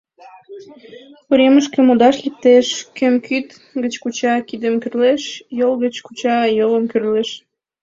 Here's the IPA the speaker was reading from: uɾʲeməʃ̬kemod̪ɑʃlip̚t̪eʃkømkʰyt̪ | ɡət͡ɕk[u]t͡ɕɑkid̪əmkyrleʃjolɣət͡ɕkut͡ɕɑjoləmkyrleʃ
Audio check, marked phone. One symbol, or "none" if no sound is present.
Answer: u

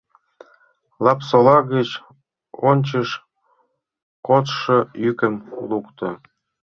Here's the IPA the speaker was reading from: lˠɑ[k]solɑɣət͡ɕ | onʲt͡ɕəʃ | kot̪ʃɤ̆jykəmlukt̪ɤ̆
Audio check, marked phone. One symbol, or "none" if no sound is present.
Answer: p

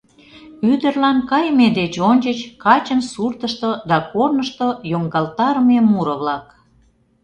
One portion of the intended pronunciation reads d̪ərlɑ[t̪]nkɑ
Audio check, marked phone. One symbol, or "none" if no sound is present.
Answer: none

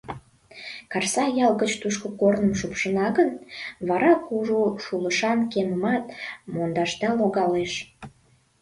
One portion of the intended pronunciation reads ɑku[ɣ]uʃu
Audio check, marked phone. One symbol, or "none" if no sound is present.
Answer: ʒ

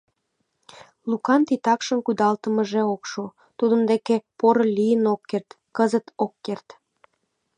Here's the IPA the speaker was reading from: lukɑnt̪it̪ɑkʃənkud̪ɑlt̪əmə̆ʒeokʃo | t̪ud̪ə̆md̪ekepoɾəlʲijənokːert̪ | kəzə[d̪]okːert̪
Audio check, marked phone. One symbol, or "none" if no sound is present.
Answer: t̪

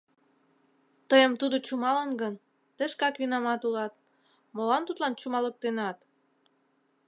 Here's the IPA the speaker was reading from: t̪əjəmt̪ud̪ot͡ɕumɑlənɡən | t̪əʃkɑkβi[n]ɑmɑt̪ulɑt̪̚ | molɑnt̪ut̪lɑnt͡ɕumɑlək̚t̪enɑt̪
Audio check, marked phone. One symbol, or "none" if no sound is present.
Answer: n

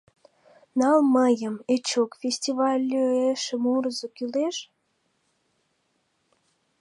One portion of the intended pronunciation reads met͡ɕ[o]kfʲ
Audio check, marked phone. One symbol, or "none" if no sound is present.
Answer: o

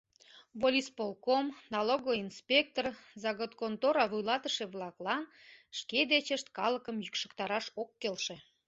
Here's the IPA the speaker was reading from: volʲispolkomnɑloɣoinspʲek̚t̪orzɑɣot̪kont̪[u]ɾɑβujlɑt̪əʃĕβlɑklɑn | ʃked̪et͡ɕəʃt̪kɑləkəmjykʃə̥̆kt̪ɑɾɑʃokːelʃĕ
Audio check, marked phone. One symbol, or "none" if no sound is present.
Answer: o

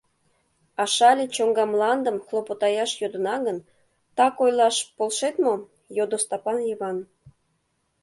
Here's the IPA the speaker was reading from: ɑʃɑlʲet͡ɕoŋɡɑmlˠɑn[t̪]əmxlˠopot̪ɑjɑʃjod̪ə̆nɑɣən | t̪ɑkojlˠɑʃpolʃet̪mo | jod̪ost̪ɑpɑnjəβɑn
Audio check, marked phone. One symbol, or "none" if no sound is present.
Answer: d̪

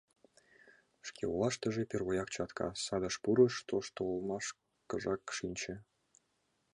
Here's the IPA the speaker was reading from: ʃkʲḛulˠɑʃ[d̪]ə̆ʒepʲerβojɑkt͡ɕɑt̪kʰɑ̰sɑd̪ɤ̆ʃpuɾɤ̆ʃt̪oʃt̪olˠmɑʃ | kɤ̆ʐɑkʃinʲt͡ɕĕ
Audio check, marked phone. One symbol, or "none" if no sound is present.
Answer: t̪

